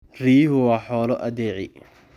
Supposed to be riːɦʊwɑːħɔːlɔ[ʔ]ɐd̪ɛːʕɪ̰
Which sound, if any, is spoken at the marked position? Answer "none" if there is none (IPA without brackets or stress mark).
ʔ